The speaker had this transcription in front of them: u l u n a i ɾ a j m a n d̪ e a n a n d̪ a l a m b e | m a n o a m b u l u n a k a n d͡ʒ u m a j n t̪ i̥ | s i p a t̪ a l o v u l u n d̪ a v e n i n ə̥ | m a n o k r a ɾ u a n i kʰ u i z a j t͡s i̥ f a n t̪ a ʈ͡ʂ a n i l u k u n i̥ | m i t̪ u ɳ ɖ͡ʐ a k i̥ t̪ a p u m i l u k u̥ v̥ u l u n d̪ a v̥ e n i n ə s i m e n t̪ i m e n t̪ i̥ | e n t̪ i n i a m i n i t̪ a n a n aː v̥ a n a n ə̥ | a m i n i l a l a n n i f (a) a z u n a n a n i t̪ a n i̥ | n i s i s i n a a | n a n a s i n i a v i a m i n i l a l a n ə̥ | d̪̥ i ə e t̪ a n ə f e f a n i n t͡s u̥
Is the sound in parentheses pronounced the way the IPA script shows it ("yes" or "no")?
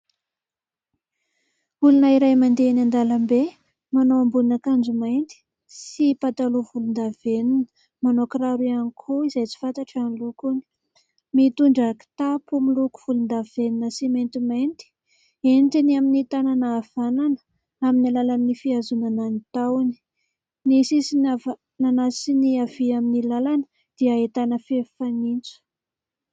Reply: no